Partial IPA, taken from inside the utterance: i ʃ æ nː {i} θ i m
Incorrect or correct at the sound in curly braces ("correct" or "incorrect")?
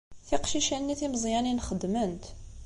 correct